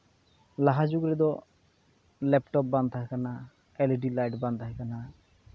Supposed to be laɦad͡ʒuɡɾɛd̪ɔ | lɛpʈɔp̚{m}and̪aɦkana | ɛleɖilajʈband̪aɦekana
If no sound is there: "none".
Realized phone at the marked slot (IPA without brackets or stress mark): b